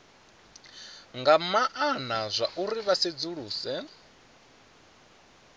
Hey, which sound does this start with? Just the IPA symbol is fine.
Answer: ŋ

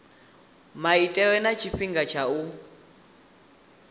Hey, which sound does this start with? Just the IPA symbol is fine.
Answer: m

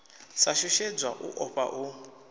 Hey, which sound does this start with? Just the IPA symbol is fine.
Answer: s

